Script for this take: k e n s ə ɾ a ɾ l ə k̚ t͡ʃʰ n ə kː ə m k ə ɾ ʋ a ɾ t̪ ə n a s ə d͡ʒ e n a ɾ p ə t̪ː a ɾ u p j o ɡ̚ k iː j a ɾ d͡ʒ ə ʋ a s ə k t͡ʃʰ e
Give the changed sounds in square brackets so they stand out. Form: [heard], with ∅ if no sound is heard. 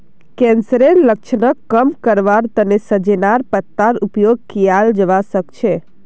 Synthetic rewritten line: k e n s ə ɾ [e] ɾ l ə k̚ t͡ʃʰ n ə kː ə m k ə ɾ ʋ a ɾ t̪ ə n [e] s ə d͡ʒ e n a ɾ p ə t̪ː a ɾ u p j o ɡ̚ k [i] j a [l] d͡ʒ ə ʋ a s ə k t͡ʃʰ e